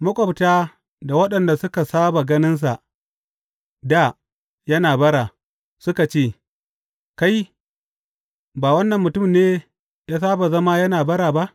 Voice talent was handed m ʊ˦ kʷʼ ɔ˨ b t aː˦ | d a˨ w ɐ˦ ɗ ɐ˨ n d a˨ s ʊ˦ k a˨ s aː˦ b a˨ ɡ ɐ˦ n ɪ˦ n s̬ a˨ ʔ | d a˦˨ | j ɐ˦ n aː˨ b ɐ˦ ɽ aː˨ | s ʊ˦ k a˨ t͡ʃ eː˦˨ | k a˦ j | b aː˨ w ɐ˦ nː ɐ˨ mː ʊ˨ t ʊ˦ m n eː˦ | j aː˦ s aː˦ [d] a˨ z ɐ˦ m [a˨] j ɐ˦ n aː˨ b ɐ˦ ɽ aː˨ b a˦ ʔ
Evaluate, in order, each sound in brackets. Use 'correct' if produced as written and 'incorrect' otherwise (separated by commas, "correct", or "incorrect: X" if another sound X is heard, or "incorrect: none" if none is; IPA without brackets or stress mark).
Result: incorrect: b, incorrect: a˦